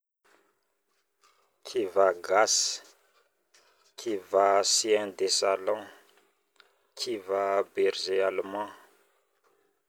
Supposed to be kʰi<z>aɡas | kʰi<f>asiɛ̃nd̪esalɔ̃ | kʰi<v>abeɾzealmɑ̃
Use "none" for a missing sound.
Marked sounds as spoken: v, v, v

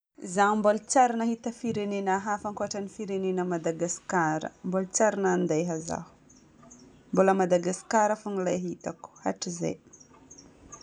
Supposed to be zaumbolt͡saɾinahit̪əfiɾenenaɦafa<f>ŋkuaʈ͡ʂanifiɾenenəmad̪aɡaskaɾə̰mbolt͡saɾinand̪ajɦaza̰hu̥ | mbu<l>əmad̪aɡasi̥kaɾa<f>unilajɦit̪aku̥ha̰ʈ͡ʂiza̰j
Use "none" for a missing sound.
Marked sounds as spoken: none, l, f

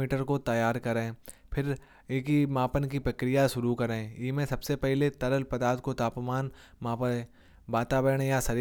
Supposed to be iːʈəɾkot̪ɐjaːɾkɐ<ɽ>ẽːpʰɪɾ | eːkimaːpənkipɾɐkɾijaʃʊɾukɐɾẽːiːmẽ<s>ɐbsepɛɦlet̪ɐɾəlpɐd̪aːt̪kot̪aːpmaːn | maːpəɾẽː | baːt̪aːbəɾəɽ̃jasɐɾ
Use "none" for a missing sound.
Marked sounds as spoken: ɾ, s

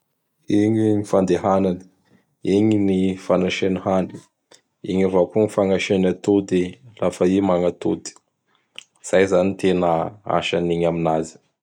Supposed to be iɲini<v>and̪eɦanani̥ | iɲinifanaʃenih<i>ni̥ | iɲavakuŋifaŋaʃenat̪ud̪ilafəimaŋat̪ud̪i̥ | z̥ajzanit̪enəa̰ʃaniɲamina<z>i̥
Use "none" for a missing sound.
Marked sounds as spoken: f, a, z

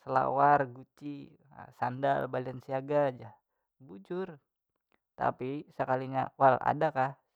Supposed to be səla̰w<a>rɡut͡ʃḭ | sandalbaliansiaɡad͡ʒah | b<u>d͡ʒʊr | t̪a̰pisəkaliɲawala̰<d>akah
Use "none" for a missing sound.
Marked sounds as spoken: a, u, d

